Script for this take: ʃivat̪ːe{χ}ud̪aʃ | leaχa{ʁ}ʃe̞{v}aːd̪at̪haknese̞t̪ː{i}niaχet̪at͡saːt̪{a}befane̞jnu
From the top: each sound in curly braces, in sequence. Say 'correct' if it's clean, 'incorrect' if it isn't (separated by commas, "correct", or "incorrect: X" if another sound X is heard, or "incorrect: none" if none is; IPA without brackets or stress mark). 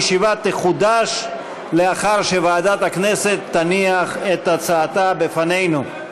correct, correct, correct, incorrect: a, correct